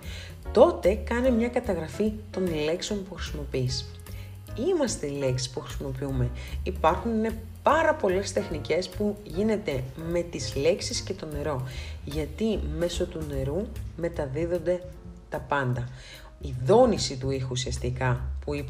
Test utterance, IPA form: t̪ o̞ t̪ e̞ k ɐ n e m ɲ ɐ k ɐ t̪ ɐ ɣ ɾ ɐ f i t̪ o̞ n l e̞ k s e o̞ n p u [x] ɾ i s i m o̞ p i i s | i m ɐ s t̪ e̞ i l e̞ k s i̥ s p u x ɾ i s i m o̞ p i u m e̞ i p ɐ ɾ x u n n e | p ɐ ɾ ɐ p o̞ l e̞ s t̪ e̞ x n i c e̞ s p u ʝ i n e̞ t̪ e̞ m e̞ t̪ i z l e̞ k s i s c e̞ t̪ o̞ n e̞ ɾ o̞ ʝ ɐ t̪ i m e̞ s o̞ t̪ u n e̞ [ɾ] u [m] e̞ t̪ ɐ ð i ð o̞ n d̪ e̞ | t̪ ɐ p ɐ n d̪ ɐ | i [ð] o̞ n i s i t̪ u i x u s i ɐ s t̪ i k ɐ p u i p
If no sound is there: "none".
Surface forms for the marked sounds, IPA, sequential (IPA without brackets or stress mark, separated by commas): x, ɾ, m, ð